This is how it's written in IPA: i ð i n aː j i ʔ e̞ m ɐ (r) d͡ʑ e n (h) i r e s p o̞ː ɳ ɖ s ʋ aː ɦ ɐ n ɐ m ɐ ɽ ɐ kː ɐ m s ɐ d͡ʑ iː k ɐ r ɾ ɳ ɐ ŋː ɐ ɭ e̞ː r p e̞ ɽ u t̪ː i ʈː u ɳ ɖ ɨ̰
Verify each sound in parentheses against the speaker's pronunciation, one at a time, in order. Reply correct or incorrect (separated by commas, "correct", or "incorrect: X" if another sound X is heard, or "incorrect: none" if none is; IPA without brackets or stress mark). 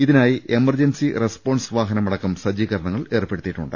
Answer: correct, incorrect: s